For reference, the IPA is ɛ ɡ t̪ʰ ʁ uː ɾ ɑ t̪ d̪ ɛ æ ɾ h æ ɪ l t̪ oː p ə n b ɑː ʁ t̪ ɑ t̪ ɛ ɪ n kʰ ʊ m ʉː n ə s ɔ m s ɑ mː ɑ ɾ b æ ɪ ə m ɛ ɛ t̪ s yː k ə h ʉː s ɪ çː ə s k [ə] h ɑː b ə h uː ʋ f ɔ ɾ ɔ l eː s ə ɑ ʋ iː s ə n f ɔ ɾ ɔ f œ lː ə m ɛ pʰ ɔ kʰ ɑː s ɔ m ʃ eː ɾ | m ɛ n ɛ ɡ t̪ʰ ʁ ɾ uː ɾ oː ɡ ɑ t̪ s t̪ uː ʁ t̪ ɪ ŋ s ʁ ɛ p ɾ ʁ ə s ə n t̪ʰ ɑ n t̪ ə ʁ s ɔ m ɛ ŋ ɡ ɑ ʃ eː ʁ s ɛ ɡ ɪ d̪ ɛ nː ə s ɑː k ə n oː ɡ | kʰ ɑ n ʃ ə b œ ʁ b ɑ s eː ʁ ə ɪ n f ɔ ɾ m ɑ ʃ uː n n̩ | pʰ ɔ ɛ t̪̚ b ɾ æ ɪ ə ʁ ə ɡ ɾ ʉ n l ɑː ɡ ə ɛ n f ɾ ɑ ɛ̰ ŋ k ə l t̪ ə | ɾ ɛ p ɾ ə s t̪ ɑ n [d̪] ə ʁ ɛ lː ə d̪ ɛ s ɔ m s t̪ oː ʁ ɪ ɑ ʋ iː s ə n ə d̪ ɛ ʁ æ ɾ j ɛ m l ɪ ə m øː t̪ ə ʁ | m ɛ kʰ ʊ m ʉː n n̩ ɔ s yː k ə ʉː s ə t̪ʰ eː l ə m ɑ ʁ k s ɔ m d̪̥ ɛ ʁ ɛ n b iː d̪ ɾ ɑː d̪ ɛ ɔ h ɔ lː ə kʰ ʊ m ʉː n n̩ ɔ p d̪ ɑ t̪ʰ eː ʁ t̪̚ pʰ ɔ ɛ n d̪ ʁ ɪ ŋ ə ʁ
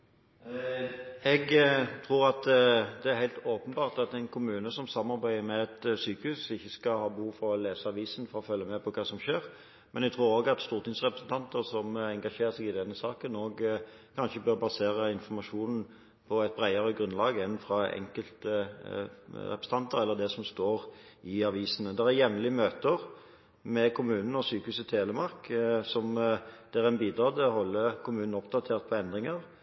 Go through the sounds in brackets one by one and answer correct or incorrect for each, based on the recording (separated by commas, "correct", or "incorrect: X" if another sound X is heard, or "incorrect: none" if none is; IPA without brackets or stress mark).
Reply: incorrect: ɑ, incorrect: t̪